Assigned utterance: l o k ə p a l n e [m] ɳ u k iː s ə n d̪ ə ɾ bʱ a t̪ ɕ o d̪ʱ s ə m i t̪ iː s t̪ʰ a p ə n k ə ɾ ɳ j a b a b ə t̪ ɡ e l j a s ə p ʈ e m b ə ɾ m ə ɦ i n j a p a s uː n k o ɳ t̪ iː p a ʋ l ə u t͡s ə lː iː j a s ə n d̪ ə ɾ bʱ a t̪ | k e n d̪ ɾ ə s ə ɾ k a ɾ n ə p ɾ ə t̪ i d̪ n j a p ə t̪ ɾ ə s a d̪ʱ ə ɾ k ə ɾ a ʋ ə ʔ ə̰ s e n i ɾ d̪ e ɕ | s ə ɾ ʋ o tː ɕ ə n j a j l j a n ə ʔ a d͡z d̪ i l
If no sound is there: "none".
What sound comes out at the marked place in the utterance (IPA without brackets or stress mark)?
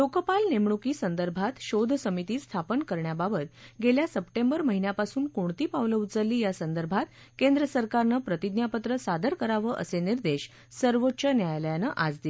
m